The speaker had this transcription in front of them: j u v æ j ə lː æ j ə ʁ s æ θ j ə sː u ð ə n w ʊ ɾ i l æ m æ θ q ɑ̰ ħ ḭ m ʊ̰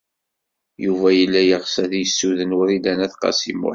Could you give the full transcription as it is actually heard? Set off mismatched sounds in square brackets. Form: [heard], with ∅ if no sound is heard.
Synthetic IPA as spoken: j u v æ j ə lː æ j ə ʁ s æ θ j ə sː u ð ə n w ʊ ɾ i l æ [n] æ θ q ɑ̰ [s] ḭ m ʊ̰